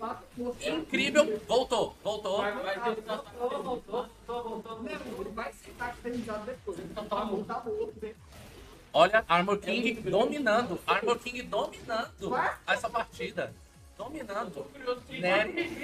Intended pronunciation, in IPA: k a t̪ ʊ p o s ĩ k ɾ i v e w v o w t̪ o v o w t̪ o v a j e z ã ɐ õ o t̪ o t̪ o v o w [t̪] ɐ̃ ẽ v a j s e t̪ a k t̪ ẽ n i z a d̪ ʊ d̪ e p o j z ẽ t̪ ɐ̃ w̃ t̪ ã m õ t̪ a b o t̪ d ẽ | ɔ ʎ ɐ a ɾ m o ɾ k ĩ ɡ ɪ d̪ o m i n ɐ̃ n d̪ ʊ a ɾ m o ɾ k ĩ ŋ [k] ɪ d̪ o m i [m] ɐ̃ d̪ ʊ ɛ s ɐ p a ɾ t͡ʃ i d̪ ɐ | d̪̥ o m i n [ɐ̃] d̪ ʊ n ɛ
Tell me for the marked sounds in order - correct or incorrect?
correct, incorrect, incorrect, correct

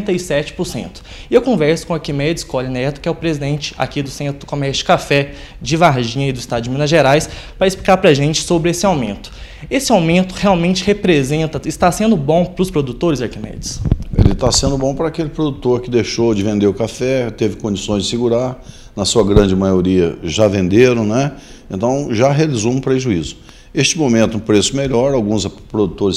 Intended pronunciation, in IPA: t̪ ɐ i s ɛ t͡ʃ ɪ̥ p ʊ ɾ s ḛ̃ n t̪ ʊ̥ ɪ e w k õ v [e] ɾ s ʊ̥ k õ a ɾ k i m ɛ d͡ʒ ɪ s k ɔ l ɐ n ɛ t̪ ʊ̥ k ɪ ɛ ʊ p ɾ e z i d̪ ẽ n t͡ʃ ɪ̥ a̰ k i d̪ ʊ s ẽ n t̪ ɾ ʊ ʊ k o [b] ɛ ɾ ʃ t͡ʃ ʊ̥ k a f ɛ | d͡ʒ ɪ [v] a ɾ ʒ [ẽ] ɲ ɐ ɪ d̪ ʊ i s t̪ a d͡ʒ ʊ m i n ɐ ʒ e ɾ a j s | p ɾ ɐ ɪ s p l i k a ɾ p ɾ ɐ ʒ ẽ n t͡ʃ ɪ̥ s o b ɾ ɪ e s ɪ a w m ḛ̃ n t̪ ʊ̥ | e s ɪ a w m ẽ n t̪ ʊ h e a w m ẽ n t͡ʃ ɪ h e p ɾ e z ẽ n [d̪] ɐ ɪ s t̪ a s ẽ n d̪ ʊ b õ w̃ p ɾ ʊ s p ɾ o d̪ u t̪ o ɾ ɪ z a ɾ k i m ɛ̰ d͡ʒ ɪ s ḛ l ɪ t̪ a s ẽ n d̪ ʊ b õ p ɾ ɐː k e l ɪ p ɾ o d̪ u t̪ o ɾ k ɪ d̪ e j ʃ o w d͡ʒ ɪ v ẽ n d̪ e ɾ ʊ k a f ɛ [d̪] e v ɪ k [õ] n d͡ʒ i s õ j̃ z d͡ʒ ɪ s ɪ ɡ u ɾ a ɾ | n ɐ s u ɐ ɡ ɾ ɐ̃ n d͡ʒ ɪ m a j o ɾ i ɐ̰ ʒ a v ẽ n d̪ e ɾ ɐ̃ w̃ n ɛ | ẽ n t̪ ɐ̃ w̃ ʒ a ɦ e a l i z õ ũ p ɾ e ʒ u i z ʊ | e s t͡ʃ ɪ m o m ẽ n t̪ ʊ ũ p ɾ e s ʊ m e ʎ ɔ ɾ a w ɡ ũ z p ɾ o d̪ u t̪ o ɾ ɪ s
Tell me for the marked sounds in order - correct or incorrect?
incorrect, incorrect, correct, incorrect, incorrect, incorrect, correct

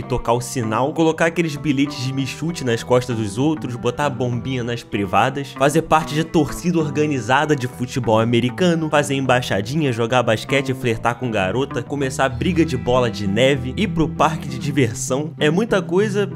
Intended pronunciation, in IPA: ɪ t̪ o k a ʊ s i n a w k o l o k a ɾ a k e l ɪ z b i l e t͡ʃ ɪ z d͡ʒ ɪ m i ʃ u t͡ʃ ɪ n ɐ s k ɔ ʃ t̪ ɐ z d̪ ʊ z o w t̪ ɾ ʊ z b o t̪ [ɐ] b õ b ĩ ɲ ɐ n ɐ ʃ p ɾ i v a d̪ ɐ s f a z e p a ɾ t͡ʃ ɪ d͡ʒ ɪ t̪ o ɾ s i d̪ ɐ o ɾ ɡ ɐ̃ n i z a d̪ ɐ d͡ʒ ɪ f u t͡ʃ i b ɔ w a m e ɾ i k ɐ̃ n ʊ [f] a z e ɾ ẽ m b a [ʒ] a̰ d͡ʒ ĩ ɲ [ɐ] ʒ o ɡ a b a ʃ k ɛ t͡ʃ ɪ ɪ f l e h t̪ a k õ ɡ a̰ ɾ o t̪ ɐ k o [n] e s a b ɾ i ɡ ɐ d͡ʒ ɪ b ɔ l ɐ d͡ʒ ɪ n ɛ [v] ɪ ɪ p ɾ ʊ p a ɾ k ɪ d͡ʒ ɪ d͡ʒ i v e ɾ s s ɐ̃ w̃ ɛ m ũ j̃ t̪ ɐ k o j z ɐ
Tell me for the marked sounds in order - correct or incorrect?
incorrect, correct, incorrect, correct, incorrect, correct

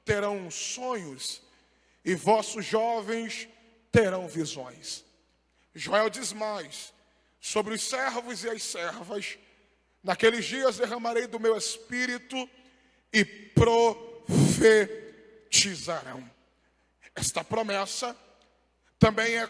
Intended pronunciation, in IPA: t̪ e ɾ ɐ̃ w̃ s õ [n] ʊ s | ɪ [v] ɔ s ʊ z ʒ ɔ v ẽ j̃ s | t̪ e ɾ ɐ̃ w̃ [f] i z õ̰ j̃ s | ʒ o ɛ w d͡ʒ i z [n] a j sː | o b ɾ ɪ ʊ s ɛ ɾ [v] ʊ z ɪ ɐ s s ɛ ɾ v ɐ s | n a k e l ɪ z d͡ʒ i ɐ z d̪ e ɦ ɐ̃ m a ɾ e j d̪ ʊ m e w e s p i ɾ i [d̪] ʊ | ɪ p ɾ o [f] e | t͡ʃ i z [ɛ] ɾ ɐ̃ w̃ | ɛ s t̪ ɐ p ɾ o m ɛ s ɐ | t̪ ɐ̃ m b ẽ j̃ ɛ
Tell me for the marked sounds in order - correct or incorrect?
incorrect, correct, incorrect, incorrect, correct, incorrect, correct, incorrect

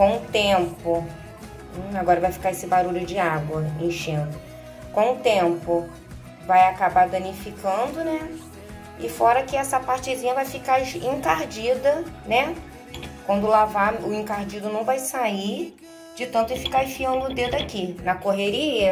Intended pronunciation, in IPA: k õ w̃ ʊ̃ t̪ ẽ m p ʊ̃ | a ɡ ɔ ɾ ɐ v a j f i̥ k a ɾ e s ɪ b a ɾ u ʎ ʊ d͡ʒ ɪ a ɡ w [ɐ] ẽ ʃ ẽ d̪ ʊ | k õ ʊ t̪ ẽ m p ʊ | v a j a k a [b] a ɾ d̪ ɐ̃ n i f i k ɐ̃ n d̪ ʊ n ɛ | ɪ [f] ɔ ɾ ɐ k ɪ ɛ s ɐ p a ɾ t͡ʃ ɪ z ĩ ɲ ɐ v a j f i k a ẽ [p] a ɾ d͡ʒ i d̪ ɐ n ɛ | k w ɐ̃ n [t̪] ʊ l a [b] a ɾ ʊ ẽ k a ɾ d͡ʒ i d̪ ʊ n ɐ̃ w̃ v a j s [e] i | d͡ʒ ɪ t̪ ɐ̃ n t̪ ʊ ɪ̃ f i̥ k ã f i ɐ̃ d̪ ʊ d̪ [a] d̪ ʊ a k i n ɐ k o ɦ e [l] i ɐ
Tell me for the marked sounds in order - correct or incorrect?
correct, correct, correct, incorrect, incorrect, incorrect, incorrect, incorrect, incorrect

